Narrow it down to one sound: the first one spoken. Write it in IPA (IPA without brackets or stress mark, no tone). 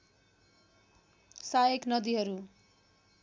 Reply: s